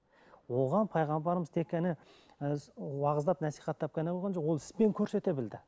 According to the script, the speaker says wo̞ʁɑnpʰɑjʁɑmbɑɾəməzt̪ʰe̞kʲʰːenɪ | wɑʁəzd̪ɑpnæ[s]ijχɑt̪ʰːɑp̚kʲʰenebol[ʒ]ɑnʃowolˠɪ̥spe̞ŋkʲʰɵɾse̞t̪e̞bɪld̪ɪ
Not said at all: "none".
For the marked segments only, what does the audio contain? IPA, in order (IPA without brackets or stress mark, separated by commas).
s, ʁ